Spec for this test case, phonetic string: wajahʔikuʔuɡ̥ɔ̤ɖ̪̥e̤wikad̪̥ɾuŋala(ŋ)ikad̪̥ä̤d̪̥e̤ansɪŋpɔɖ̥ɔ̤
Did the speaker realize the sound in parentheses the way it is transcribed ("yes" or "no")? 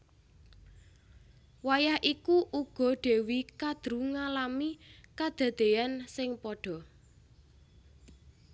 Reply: no